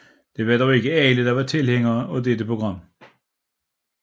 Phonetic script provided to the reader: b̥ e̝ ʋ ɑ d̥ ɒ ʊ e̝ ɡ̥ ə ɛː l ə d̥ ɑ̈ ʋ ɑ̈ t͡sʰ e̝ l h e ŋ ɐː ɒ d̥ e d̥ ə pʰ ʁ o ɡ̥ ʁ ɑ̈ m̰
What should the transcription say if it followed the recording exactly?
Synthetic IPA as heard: d̥ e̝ ʋ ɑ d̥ ɒ ʊ e̝ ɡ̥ ə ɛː l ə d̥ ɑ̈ ʋ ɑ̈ t͡sʰ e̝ l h e ŋ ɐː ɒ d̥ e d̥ ə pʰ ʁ o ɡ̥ ʁ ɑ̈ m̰